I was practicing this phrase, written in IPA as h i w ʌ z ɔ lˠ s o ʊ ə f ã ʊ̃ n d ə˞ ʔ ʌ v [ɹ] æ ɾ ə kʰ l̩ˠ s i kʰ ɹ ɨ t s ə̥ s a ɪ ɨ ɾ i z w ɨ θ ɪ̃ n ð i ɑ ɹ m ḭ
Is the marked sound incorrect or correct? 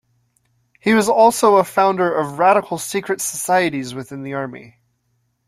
correct